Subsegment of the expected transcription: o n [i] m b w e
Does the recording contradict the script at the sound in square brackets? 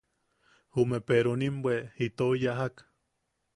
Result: no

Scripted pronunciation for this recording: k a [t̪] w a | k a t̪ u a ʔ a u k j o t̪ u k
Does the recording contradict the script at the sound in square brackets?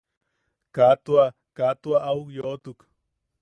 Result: no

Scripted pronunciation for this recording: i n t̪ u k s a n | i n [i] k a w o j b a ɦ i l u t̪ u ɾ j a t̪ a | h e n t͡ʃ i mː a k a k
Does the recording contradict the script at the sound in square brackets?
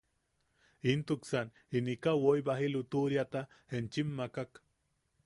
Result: no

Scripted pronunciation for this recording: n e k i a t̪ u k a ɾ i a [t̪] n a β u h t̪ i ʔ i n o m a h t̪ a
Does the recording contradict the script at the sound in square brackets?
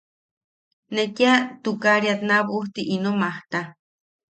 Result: no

